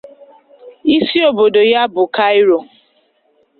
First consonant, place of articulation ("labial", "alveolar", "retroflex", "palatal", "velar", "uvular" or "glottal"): alveolar